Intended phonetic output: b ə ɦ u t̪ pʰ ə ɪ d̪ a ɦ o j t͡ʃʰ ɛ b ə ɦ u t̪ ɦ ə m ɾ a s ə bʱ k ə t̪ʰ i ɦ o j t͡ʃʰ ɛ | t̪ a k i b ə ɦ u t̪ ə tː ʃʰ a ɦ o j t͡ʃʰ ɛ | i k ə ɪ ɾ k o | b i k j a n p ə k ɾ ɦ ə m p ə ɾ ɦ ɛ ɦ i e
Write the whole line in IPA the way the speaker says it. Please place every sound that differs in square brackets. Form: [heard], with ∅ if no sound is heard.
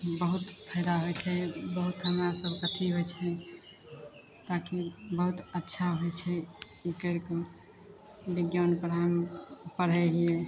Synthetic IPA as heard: b ə ɦ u t̪ pʰ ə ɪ d̪ a ɦ o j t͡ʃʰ ɛ b ə ɦ u t̪ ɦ ə m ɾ a s ə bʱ k ə t̪ʰ i ɦ o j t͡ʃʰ ɛ | t̪ a k i b ə ɦ u t̪ ə tː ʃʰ a ɦ o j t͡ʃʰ ɛ | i k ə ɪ ɾ k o | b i [ɡ] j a n p ə [∅] ɾ ɦ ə m p ə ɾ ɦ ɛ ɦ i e

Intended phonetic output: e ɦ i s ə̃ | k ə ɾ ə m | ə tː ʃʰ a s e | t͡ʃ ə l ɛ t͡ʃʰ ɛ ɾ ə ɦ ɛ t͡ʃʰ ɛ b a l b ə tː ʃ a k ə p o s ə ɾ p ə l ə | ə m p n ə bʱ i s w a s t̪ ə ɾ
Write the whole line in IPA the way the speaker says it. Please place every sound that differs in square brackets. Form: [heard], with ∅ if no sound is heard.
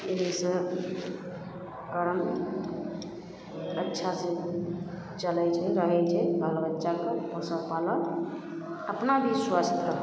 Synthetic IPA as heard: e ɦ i s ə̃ | k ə ɾ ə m | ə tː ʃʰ a s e | t͡ʃ ə l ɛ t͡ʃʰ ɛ ɾ ə ɦ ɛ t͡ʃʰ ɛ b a l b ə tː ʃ a k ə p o s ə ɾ p [a] l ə | ə [∅] p n [a] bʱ i s w a s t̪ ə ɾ

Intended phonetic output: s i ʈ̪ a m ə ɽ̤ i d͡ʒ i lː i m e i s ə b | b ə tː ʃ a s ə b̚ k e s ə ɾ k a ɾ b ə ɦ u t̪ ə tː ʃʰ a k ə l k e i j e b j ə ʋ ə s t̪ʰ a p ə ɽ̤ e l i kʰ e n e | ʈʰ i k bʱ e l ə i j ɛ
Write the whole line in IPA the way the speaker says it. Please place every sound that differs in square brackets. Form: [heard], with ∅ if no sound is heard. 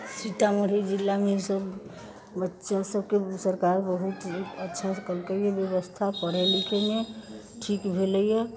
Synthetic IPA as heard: s i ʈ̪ a m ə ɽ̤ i d͡ʒ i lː [a] m e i s ə b | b ə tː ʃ a s ə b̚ k e s ə ɾ k a ɾ b ə ɦ u t̪ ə tː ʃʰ a k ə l k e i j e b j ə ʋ ə s t̪ʰ a p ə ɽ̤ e l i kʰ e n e | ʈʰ i k bʱ e l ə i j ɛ

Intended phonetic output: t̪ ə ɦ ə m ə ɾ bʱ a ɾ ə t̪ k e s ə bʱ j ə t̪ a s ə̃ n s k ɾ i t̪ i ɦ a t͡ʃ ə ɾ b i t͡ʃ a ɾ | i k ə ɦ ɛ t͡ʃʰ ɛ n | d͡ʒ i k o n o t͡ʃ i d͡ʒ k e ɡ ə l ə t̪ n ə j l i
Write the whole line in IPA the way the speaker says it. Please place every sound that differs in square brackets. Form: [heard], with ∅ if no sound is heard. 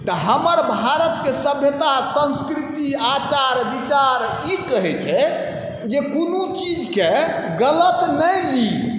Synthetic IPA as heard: t̪ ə ɦ ə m ə ɾ bʱ a ɾ ə t̪ k e s ə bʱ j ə t̪ a s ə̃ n s k ɾ i t̪ i [∅] a t͡ʃ [a] ɾ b i t͡ʃ a ɾ | i k ə ɦ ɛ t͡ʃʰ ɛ [∅] | d͡ʒ [e] k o n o t͡ʃ i d͡ʒ k e ɡ ə l ə t̪ n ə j l i

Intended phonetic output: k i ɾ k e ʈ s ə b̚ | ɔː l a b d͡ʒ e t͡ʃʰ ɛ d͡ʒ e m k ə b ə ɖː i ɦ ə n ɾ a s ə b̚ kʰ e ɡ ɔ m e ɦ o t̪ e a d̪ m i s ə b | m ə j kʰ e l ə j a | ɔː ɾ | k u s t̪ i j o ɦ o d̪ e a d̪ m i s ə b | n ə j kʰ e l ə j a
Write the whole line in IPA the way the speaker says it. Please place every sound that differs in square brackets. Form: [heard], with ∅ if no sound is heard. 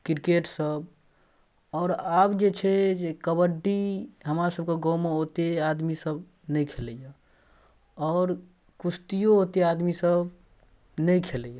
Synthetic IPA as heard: k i ɾ k e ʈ s ə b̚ | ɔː [ɾ] a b d͡ʒ e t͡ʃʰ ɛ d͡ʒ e [∅] k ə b ə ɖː i ɦ ə [m] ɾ a s ə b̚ [k] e ɡ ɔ m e ɦ o t̪ e a d̪ m i s ə b | [n] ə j kʰ e l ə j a | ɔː ɾ | k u s t̪ i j o ɦ o [t̪] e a d̪ m i s ə b | n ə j kʰ e l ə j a

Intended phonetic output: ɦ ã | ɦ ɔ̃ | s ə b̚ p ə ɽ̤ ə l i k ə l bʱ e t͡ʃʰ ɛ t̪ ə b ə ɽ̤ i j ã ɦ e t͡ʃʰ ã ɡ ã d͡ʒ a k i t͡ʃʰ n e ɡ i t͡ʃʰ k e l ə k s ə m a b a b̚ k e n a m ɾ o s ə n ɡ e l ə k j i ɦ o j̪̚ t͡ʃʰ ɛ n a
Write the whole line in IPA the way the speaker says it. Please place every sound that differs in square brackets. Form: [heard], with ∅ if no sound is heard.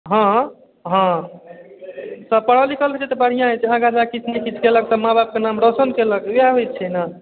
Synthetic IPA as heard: ɦ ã | ɦ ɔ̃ | s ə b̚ p ə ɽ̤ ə l i k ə l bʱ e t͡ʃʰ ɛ t̪ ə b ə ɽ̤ i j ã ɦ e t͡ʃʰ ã ɡ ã d͡ʒ a k i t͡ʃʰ n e [k] i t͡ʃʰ k e l ə k s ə m a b a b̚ k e n a m ɾ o s ə n [k] e l ə k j [a] ɦ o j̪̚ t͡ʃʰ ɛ n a

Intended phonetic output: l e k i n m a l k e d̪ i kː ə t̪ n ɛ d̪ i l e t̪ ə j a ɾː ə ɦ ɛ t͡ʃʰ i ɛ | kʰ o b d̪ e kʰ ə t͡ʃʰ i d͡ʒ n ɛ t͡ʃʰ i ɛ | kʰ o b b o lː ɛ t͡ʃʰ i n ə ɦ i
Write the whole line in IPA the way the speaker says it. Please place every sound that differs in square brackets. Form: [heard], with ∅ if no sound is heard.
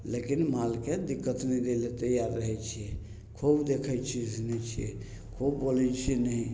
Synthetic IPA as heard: l e k i n m a l k e d̪ i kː ə t̪ n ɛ d̪ [e] l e t̪ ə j a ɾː ə ɦ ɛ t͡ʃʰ i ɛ | kʰ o b d̪ e kʰ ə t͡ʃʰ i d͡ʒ n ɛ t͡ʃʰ i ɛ | kʰ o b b o [l] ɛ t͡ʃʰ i n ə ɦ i

